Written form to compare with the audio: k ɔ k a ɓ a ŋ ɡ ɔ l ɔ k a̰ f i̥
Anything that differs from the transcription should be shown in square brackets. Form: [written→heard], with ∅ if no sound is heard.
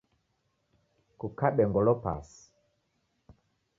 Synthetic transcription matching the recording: k [ɔ→u] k a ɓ [a→ɛ] ŋ ɡ ɔ l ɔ [k→p] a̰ [f→s] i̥